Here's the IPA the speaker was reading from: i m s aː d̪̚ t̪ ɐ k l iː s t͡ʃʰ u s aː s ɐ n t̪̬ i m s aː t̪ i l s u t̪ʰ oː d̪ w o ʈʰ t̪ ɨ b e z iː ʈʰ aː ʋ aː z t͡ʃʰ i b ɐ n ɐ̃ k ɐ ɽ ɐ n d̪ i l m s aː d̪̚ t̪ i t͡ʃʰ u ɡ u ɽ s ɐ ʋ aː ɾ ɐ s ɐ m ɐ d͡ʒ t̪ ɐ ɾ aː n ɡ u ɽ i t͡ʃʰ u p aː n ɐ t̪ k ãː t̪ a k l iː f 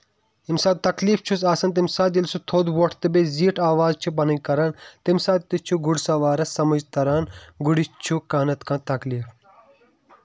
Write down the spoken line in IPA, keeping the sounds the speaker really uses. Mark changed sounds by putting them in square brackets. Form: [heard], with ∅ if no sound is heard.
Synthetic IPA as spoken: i m s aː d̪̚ t̪ ɐ k l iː [f] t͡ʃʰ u s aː s ɐ n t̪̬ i m s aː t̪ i l s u t̪ʰ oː d̪ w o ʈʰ t̪ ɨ b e z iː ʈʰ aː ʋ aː z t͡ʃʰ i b ɐ n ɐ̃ k ɐ [ɾ] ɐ n [t̪] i [∅] m s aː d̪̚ t̪ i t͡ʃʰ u ɡ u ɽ s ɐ ʋ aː ɾ ɐ s ɐ m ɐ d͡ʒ t̪ ɐ ɾ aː n ɡ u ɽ i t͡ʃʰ u [k] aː n ɐ t̪ k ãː t̪ [ɐ] k l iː f